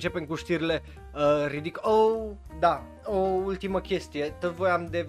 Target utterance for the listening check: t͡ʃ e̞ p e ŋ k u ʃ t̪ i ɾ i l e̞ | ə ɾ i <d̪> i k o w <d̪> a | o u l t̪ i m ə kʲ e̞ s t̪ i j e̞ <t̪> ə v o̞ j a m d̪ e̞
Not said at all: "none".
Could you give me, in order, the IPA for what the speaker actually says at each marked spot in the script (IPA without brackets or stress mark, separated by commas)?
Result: d̪, d̪, t̪